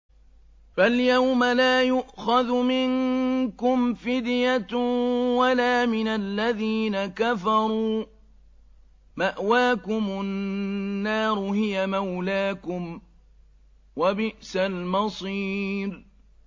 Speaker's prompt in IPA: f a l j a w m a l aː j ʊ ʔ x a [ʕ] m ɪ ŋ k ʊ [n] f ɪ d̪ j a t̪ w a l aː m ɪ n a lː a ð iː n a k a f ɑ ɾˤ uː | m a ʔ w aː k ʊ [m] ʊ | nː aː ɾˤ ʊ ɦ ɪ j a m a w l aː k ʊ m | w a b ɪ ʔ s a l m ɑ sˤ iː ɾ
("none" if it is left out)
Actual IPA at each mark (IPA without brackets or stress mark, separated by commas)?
ð, m, m